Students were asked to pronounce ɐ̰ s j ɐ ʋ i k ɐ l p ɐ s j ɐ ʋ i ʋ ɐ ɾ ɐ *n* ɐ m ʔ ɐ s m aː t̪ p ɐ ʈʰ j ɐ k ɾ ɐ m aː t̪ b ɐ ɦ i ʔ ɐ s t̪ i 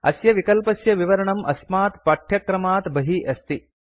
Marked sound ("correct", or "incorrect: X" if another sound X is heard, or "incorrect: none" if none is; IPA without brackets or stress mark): incorrect: ɳ